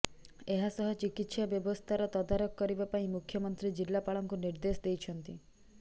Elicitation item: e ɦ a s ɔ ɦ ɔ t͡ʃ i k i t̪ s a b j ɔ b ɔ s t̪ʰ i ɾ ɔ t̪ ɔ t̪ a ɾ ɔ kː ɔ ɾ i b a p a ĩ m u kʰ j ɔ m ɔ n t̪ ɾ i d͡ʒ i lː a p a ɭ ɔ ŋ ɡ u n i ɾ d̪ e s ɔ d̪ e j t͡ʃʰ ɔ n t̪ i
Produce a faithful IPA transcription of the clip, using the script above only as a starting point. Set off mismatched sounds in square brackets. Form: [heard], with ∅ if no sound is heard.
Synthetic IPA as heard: e ɦ a s ɔ ɦ ɔ t͡ʃ i k i t̪ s a b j ɔ b ɔ s t̪ʰ [a] ɾ ɔ t̪ ɔ [d̪] a ɾ ɔ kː ɔ ɾ i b a p a ĩ m u kʰ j ɔ m ɔ n t̪ ɾ i d͡ʒ i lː a p a ɭ ɔ ŋ [k] u n i ɾ d̪ e s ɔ d̪ e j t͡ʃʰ ɔ n t̪ i